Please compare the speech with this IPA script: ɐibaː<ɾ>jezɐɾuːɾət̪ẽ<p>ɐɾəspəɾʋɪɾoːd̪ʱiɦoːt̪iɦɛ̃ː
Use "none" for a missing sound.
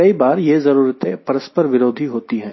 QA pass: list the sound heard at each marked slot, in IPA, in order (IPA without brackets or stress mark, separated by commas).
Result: ɾ, p